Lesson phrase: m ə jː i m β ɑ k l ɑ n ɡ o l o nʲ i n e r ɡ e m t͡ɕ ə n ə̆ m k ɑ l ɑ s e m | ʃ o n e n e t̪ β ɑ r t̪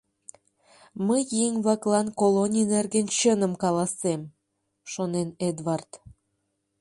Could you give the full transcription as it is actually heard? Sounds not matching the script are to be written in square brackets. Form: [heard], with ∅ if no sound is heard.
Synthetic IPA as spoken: m ə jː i [ŋ] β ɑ k l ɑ n [k] o l o nʲ i n e r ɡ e [n] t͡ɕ ə n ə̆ m k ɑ l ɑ s e m | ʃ o n e n e [d̪] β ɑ r t̪